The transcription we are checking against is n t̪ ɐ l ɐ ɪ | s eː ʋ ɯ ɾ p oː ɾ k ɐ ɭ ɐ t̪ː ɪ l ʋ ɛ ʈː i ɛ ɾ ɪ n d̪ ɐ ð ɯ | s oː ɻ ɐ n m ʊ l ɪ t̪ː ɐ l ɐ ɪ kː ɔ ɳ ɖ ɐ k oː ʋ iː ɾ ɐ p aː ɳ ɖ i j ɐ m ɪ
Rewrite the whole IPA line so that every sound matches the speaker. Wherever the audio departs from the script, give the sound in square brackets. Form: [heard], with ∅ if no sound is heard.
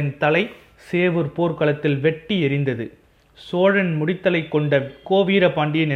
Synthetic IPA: n t̪ ɐ l ɐ ɪ | s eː ʋ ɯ ɾ p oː ɾ k ɐ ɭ ɐ t̪ː ɪ l ʋ ɛ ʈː i ɛ ɾ ɪ n d̪ ɐ ð ɯ | s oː ɻ ɐ n m ʊ [ɽ] ɪ t̪ː ɐ l ɐ ɪ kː ɔ ɳ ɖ ɐ k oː ʋ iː ɾ ɐ p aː ɳ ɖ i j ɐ [n] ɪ